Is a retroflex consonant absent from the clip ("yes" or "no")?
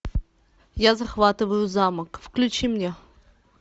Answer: yes